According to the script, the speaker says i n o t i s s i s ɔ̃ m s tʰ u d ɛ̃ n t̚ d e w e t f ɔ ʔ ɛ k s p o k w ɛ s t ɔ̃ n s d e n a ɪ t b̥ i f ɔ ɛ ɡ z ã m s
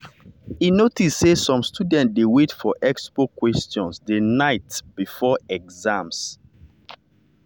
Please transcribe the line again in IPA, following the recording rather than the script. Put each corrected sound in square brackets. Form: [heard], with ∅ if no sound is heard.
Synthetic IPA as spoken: i n o t i s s [e] s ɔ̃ m s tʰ u d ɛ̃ n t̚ d e w e t f ɔ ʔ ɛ k s p o k w ɛ s t ɔ̃ n s d e n a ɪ t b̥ i f ɔ ɛ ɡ z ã m s